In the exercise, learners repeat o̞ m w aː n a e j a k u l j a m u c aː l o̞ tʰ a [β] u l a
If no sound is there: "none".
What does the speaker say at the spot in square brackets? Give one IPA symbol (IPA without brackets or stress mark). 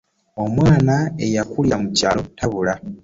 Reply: β